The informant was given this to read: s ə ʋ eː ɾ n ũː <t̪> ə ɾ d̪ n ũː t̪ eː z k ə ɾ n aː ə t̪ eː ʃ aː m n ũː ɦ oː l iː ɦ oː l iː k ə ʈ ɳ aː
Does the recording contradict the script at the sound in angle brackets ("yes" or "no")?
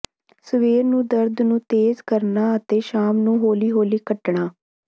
yes